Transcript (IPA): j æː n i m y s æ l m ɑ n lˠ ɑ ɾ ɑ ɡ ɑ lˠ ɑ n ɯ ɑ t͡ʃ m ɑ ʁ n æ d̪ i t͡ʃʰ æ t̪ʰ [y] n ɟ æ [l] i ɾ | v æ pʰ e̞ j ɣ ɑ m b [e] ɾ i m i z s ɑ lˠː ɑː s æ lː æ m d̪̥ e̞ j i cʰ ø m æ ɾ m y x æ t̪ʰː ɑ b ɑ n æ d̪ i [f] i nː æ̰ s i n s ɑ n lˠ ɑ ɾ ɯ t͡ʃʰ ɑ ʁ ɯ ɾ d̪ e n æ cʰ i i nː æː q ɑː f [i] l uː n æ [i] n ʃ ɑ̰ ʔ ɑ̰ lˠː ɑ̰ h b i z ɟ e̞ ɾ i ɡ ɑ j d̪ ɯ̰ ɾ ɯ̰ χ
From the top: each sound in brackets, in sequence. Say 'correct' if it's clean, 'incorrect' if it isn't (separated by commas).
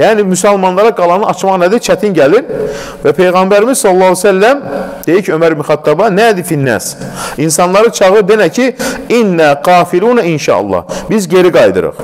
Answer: incorrect, correct, incorrect, correct, correct, correct